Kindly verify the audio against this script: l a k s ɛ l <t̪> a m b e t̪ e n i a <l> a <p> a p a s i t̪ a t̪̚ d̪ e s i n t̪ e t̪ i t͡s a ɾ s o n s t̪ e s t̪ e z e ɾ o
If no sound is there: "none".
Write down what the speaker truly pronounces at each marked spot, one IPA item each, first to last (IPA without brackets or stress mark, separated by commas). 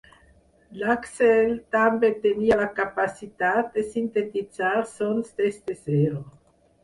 t̪, l, k